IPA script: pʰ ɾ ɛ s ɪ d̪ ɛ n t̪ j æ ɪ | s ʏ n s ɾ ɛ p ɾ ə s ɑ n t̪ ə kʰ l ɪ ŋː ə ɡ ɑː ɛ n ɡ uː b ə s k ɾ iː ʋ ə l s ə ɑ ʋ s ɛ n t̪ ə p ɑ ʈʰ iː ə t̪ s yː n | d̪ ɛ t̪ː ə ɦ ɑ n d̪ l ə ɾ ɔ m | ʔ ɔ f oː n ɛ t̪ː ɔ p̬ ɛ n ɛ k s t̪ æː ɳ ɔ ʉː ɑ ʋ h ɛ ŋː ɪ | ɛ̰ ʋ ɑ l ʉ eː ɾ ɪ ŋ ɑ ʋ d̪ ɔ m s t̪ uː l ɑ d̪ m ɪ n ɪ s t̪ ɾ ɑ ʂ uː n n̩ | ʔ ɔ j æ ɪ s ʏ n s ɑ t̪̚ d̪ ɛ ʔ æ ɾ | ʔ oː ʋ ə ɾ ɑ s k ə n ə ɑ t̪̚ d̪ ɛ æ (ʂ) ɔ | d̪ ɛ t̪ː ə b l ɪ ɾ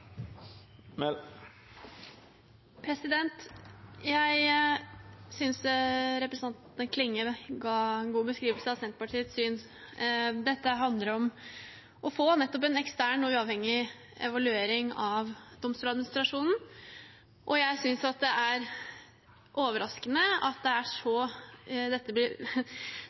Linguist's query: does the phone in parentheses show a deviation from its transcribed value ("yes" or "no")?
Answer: no